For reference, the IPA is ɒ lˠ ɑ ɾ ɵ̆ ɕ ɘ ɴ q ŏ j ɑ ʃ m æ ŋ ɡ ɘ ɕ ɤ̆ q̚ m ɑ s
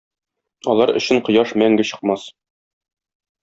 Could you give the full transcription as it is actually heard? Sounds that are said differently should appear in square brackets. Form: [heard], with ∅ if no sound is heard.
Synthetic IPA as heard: ɒ lˠ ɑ ɾ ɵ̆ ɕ ɘ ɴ q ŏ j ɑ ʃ m æ ŋ ɡ ɘ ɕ ɤ̆ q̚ m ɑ s